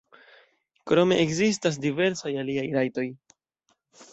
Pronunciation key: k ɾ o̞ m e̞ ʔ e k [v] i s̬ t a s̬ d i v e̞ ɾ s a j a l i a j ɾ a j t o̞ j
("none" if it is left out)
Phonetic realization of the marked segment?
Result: z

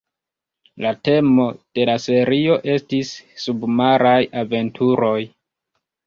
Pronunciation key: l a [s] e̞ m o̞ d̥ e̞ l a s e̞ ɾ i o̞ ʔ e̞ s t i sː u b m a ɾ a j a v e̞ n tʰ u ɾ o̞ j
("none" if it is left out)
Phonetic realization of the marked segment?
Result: t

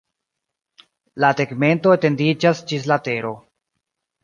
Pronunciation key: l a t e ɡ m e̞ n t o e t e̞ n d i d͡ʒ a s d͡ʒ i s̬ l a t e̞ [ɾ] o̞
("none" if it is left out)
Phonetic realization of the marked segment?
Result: ɾ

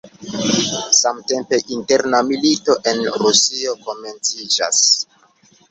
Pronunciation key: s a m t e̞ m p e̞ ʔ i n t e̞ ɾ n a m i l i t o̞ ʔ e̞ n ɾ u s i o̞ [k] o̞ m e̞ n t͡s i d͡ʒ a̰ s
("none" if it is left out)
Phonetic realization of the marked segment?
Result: k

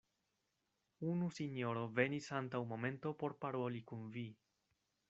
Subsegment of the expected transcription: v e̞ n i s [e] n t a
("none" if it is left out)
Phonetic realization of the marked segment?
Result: a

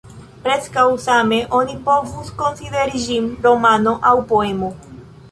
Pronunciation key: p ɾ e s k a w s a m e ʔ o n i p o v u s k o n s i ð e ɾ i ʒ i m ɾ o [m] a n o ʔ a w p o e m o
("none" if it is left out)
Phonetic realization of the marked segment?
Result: m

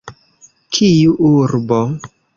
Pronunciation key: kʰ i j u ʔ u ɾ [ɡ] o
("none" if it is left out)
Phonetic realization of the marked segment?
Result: b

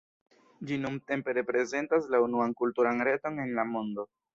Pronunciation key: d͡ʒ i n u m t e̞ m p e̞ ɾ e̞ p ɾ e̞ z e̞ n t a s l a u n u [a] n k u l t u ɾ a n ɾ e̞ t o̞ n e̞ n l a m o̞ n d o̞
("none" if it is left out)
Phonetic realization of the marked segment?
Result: a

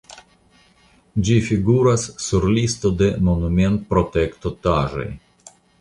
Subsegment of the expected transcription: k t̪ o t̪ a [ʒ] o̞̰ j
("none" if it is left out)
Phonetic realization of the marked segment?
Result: ʒ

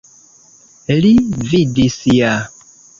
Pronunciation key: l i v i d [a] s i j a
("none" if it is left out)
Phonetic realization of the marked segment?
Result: i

